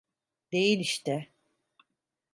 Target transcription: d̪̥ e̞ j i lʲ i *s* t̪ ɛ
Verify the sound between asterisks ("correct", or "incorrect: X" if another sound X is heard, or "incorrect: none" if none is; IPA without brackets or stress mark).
incorrect: ʃ